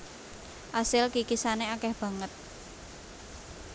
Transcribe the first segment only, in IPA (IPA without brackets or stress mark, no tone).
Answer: ʔ